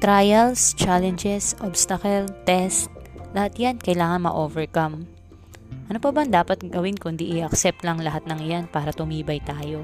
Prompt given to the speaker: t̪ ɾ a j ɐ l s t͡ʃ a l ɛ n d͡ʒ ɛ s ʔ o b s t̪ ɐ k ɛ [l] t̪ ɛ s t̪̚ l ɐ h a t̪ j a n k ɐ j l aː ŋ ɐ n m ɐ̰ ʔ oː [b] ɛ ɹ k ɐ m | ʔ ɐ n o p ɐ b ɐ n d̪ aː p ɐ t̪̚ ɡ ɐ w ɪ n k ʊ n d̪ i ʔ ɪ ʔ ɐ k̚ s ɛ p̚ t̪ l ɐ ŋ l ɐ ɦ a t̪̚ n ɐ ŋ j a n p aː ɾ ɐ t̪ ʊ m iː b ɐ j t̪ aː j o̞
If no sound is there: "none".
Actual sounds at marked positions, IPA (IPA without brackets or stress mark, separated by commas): l, v